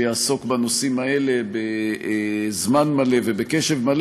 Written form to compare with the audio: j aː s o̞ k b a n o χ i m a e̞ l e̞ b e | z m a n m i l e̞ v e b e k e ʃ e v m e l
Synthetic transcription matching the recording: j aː s o̞ k b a n o s i m a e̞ l e̞ b e | z m a n m a l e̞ v e b e k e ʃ e v m a l